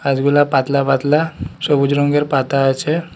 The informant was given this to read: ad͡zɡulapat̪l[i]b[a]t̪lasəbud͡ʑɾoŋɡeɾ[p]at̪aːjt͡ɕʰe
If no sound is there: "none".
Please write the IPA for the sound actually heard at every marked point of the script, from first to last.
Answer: a, a, p

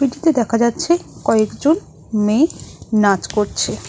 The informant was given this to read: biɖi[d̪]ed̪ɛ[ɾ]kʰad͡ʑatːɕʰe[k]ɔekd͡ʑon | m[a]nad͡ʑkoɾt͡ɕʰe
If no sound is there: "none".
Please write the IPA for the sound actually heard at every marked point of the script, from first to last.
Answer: t̪, none, k, e

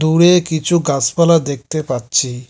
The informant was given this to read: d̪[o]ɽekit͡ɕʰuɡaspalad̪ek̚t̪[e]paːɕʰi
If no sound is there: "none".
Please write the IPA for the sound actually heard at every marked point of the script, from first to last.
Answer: u, e

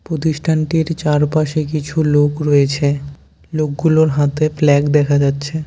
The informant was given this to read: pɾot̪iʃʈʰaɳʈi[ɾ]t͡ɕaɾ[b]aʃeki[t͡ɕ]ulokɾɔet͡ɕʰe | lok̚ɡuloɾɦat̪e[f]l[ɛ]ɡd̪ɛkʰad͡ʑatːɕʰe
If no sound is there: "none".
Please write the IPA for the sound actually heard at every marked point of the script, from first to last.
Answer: ɾ, p, t͡ɕʰ, f, ɛ

